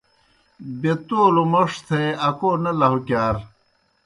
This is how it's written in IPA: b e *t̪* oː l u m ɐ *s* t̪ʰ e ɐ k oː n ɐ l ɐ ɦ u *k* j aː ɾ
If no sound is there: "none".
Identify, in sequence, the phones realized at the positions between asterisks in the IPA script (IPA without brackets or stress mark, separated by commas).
t̪, ʂ, k